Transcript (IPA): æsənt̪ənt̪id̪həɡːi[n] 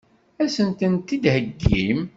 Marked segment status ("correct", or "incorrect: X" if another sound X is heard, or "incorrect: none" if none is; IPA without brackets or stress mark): incorrect: m